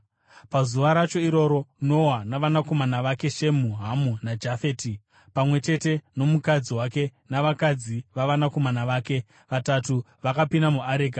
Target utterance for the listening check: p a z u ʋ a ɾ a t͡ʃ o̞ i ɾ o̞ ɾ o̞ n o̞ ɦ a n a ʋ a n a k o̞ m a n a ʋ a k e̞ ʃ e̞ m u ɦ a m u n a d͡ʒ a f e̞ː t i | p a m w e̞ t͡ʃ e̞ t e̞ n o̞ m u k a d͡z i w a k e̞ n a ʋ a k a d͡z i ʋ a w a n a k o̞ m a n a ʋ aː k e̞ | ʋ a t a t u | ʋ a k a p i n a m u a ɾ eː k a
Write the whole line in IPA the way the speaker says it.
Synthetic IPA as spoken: p a z u ʋ a ɾ a t͡ʃ o̞ i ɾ o̞ ɾ o̞ n o̞ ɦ a n a ʋ a n a k o̞ m a n a ʋ a k e̞ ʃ e̞ m u ɦ a m u n a d͡ʒ a f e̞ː t i | p a m w e̞ t͡ʃ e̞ t e̞ n o̞ m u k a d͡z i w a k e̞ n a ʋ a k a d͡z i ʋ a ʋ a n a k o̞ m a n a ʋ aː k e̞ | ʋ a t a t u | ʋ a k a p i n a m u a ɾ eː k a